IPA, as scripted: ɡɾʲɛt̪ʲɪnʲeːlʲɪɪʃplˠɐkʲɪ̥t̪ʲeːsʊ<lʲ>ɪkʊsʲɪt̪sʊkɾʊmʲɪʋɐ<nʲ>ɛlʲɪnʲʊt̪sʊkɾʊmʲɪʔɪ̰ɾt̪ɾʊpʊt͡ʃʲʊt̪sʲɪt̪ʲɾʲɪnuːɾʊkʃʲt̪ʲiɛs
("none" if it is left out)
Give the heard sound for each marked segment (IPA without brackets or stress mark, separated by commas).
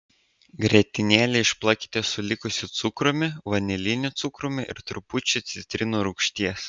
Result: lʲ, nʲ